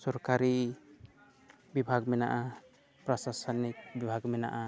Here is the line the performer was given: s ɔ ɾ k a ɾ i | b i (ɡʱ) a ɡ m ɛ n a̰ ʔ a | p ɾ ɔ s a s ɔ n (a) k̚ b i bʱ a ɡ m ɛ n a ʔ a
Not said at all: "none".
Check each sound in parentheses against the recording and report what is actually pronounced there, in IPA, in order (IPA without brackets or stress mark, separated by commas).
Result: bʱ, i